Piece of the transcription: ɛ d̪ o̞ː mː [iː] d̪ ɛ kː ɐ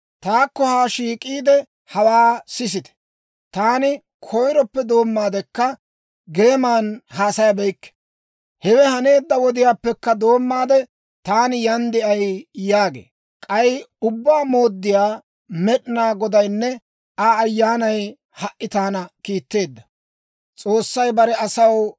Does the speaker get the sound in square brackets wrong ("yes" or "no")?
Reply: yes